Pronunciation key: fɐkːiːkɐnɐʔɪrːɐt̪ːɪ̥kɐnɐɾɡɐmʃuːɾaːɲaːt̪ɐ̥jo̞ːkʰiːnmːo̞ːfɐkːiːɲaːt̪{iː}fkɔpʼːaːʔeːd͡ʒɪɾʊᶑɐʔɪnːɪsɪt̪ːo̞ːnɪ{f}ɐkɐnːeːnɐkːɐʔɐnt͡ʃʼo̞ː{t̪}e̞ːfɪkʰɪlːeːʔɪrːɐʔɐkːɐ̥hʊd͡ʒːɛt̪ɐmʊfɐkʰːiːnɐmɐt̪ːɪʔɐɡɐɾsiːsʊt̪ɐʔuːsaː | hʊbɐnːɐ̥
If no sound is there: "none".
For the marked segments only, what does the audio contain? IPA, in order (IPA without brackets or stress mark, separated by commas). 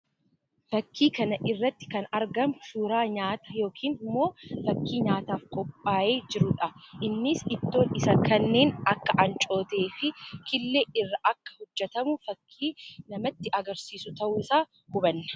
aː, s, t̪